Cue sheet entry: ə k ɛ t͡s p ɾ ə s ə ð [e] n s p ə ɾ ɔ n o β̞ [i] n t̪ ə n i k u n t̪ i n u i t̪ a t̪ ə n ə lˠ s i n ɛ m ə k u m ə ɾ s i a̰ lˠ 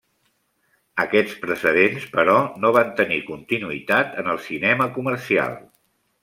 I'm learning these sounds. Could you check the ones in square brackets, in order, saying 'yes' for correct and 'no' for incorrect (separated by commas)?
yes, no